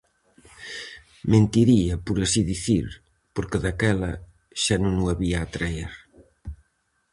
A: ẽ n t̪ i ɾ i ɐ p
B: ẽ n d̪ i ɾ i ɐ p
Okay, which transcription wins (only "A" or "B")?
A